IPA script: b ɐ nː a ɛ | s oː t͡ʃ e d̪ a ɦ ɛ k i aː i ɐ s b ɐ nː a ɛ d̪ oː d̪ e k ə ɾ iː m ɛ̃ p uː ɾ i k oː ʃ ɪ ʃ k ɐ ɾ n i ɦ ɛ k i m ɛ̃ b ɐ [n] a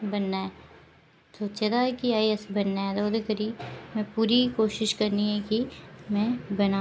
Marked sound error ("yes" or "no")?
no